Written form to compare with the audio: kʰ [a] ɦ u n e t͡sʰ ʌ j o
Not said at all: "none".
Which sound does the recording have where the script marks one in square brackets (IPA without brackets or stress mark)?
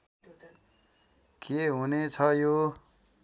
e